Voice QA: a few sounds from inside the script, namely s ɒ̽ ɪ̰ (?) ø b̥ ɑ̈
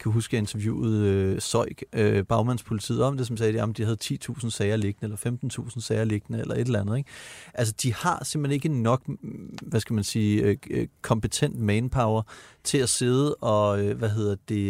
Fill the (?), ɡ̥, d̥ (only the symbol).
ɡ̥